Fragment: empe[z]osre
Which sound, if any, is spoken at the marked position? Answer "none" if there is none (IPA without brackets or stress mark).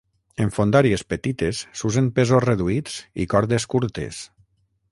z